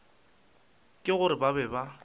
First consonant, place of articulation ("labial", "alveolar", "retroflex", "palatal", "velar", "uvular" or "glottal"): velar